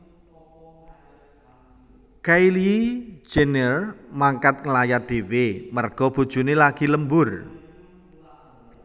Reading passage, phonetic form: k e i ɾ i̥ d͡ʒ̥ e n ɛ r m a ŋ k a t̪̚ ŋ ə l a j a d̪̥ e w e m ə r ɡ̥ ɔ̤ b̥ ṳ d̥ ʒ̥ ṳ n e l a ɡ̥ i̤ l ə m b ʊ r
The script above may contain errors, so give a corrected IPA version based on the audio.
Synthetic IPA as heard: k a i l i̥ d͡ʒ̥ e n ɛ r m a ŋ k a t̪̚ ŋ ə l a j a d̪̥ e w e m ə r ɡ̥ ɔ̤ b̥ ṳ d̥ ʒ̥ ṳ n e l a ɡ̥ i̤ l ə m b ʊ r